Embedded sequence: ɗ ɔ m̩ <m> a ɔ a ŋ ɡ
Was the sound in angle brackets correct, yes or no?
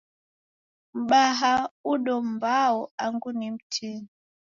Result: no